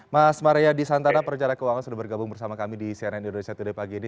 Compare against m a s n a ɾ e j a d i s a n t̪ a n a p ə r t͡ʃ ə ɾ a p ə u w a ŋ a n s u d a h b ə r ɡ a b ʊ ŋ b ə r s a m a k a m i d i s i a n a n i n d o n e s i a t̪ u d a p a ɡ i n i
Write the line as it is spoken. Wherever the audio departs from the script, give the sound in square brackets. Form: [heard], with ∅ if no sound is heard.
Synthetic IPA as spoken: m a s [m] a ɾ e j a d i s a n t̪ a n a p ə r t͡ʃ [a] ɾ a [k] ə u w a ŋ a n s u d a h b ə r ɡ a b ʊ ŋ b ə r s a m a k a m i d i s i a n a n i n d o n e s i a t̪ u d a p a ɡ i n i

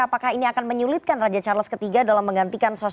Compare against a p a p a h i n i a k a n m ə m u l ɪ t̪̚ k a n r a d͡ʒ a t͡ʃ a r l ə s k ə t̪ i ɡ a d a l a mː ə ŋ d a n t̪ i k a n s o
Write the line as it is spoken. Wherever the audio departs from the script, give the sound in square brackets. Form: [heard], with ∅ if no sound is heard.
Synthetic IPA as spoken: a p a [k] a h i n i a k a n m ə [ɲ] u l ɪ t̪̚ k a n r a d͡ʒ a t͡ʃ a r l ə s k ə t̪ i ɡ a d a l a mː ə ŋ [ɡ] a n t̪ i k a n s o

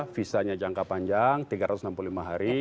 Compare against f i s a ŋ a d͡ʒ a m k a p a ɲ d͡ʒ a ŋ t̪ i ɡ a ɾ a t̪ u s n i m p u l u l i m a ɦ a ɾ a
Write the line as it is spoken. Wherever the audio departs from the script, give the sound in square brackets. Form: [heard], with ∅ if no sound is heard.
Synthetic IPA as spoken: f i s a [ɲ] a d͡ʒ a [ŋ] k a p a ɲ d͡ʒ a ŋ t̪ i ɡ a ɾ a t̪ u s n [a] m p u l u l i m a ɦ a ɾ [i]

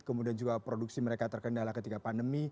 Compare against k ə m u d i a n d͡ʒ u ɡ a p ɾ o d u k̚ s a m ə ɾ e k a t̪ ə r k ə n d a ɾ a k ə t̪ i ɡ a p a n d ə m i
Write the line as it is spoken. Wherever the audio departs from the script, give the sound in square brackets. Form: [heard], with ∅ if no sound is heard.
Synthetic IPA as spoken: k ə m u d i a n d͡ʒ u ɡ a p ɾ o d u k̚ s [i] m ə ɾ e k a t̪ ə r k ə n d a [l] a k ə t̪ i ɡ a p a n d ə m i

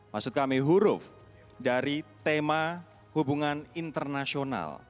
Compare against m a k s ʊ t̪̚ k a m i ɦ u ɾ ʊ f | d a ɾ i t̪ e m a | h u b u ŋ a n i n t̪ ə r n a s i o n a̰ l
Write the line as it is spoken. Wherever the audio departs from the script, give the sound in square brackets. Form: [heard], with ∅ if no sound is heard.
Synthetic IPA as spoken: m a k s ʊ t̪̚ k a m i ɦ u ɾ ʊ f | d a ɾ i t̪ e m a | h u b u ŋ a n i n t̪ ə r n a s i o n a̰ l

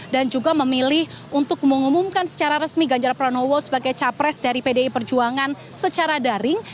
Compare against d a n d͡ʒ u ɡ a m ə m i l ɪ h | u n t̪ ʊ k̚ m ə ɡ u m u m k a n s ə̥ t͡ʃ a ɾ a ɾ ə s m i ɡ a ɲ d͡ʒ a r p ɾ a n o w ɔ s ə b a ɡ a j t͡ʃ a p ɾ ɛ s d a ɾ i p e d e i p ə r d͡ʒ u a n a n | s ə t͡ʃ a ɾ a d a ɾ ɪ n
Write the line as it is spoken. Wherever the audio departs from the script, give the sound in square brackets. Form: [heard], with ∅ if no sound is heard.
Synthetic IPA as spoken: d a n d͡ʒ u ɡ a m ə m i l ɪ h | u n t̪ ʊ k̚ m ə [ŋ] u m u m k a n s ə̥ t͡ʃ a ɾ a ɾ ə s m i ɡ a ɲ d͡ʒ a r p ɾ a n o w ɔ s ə b a ɡ a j t͡ʃ a p ɾ ɛ s d a ɾ i p e d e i p ə r d͡ʒ u a [ŋ] a n | s ə t͡ʃ a ɾ a d a ɾ ɪ [ŋ]

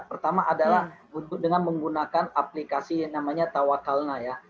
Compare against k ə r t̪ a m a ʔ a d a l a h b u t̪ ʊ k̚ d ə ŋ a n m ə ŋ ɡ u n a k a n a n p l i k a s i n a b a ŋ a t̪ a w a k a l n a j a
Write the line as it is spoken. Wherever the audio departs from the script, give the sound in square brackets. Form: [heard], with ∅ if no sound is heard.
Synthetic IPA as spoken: [p] ə r t̪ a m a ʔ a d a l a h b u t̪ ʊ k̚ d ə ŋ a n m ə ŋ ɡ u n a k a n a [∅] p l i k a s i n a [m] a [ɲ] a t̪ a w a k a l n a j a

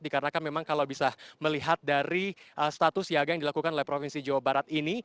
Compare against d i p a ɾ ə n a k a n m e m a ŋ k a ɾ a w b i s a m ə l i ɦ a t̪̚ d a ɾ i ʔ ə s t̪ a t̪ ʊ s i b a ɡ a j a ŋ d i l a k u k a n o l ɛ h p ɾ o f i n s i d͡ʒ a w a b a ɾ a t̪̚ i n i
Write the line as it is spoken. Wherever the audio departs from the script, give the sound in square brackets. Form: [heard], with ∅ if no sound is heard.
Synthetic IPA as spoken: d i [k] a ɾ ə n a k a n m e m a ŋ k a [l] a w b i s a m ə l i ɦ a t̪̚ d a ɾ i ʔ ə s t̪ a t̪ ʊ s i [∅] a ɡ a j a ŋ d i l a k u k a n o l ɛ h p ɾ o f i n s i d͡ʒ a w a b a ɾ a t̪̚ i n i

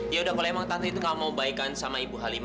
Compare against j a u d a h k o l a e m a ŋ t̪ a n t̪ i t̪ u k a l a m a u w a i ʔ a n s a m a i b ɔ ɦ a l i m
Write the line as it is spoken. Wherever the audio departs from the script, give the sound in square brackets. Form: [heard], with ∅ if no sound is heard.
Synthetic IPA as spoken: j a u d a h k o l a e m a ŋ t̪ a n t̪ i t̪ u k a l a m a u [b] a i [k] a n s a m a i b [u] ɦ a l i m

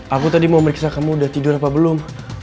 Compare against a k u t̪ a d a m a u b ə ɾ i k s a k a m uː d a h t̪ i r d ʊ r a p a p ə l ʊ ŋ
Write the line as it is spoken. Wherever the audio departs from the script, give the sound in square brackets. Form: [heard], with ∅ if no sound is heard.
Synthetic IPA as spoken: a k u t̪ a d [i] m a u [m] ə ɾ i k s a k a m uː d a h t̪ i [∅] d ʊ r a p a [b] ə l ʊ [m]

